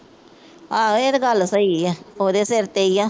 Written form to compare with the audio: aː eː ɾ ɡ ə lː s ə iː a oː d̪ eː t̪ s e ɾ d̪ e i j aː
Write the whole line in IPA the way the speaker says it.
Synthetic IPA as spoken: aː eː ɾ ɡ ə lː s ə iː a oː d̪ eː s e ɾ t̪ e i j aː